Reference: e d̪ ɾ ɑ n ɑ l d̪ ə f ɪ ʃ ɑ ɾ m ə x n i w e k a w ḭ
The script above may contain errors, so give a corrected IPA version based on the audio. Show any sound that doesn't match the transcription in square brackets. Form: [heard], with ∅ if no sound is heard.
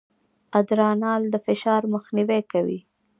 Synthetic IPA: [a] d̪ ɾ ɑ n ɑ l d̪ ə f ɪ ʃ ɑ ɾ m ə x n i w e k a w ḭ